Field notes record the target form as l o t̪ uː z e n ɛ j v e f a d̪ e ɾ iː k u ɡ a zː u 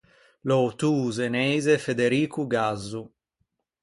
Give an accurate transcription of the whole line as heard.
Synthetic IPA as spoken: l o t̪ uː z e n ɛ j z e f e d̪ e ɾ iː k u ɡ a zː u